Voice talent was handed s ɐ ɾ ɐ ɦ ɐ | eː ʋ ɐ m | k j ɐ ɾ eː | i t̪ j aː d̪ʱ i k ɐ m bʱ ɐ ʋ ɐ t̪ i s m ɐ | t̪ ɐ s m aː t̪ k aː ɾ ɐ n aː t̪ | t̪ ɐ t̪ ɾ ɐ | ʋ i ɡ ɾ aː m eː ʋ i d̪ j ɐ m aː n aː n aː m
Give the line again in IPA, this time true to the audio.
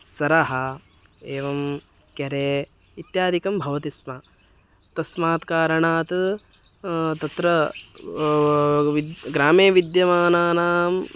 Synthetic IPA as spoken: s ɐ ɾ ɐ ɦ ɐ | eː ʋ ɐ m | k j ɐ ɾ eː | i t̪ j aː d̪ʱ i k ɐ m bʱ ɐ ʋ ɐ t̪ i s m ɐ | t̪ ɐ s m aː t̪ k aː ɾ ɐ ɳ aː t̪ | t̪ ɐ t̪ ɾ ɐ | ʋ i ɡ ɾ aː m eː ʋ i d̪ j ɐ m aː n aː n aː m

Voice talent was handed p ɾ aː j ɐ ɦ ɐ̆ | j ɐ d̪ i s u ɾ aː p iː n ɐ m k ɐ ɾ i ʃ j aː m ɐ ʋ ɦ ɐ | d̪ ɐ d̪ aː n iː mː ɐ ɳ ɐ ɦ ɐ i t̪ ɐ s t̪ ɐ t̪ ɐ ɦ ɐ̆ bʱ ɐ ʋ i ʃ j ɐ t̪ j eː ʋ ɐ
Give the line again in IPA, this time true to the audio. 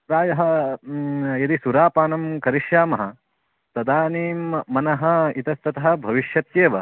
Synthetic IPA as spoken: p ɾ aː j ɐ ɦ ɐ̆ | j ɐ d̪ i s u ɾ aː p aː n ɐ m k ɐ ɾ i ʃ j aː m ɐ ɦ ɐ | t̪ ɐ d̪ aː n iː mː ɐ n ɐ ɦ ɐ i t̪ ɐ s t̪ ɐ t̪ ɐ ɦ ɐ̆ bʱ ɐ ʋ i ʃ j ɐ t̪ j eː ʋ ɐ

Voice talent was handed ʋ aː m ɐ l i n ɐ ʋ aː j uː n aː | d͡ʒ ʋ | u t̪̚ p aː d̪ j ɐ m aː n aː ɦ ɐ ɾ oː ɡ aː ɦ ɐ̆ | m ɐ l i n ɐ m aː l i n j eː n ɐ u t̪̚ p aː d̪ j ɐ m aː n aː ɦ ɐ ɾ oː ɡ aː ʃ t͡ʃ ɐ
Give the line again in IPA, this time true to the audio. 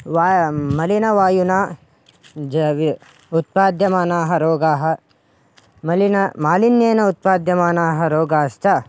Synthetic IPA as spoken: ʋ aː m ɐ l i n ɐ ʋ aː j u n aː | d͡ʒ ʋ | u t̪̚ p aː d̪ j ɐ m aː n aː ɦ ɐ ɾ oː ɡ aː ɦ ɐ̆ | m ɐ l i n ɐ m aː l i n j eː n ɐ u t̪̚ p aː d̪ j ɐ m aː n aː ɦ ɐ ɾ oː ɡ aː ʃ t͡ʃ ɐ

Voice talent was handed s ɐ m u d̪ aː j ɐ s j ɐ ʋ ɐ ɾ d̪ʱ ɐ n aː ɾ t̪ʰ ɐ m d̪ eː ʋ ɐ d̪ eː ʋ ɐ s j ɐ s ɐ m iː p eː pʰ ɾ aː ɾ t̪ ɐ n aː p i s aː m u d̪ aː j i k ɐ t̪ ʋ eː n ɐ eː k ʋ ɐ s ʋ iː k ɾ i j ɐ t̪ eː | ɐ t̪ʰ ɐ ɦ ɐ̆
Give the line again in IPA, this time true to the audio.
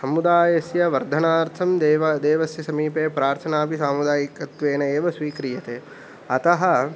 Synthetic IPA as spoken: s ɐ m u d̪ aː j ɐ s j ɐ ʋ ɐ ɾ d̪ʱ ɐ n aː ɾ t̪ʰ ɐ m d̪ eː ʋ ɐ d̪ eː ʋ ɐ s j ɐ s ɐ m iː p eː p ɾ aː ɾ t̪ʰ ɐ n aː p i s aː m u d̪ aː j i k ɐ t̪ ʋ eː n ɐ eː ʋ ɐ s ʋ iː k ɾ i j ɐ t̪ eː | ɐ t̪ ɐ ɦ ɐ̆

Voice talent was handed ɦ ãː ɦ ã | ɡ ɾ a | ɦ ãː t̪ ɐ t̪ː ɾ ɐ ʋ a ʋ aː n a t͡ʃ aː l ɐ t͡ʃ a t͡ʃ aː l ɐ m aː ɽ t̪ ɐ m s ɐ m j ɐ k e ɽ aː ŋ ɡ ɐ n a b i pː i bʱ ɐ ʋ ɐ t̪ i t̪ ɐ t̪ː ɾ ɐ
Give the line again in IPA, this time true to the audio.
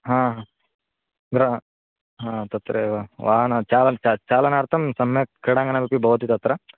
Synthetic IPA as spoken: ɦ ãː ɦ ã | ɡ ɾ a | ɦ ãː t̪ ɐ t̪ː ɾ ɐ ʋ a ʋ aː n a t͡ʃ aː l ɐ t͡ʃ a t͡ʃ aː l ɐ n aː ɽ t̪ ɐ m s ɐ m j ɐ k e ɽ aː ŋ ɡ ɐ n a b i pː i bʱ ɐ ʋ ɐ t̪ i t̪ ɐ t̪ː ɾ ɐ

